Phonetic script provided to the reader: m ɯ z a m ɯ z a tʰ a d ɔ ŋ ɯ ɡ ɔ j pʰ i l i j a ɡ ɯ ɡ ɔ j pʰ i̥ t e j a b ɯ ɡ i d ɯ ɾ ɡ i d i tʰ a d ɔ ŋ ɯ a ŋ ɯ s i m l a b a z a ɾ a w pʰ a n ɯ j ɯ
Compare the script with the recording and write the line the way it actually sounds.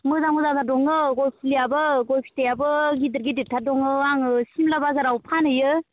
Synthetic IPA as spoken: m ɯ z a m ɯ z a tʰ a d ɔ ŋ ɯ ɡ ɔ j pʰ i l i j a b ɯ ɡ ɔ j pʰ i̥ t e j a b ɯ ɡ i d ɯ ɾ ɡ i d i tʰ a d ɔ ŋ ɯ a ŋ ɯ s i m l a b a z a ɾ a w pʰ a n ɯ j ɯ